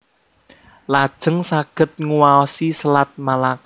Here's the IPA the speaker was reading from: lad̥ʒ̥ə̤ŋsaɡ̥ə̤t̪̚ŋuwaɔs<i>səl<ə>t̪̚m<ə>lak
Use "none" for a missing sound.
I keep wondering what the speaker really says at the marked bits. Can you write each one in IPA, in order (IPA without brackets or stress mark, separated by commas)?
i, a, a